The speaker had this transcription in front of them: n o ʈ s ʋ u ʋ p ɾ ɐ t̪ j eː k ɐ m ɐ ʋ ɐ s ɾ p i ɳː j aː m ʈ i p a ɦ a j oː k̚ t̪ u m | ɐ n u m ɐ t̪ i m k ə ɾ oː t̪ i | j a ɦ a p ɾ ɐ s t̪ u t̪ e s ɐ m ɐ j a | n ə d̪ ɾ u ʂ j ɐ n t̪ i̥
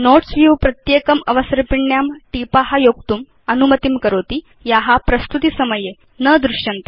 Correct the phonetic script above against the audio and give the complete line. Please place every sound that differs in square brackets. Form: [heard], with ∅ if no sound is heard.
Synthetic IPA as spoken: n o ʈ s ʋ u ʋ p ɾ ɐ t̪ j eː k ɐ m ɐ ʋ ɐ s ɾ p i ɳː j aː m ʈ i p a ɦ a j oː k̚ t̪ u m | ɐ n u m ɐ t̪ i m k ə ɾ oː t̪ i | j a ɦ a p ɾ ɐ s t̪ u t̪ [i] s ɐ m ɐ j [e] | n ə d̪ ɾ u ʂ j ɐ n t̪ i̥